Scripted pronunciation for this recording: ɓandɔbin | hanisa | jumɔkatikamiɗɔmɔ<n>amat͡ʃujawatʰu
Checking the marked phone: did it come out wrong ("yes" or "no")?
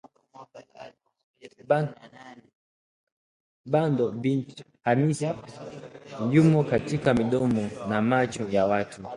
no